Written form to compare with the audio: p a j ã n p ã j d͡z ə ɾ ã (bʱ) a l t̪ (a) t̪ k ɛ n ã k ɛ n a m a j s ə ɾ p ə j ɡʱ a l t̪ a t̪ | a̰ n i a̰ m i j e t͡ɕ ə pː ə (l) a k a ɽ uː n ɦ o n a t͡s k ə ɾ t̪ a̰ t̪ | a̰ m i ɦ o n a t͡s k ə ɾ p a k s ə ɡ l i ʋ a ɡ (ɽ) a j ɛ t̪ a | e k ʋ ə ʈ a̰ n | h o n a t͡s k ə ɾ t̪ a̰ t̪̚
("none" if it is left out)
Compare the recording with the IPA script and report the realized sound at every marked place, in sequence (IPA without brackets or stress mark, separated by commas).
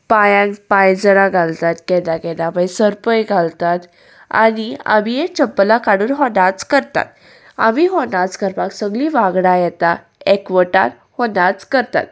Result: ɡʱ, a, l, ɽ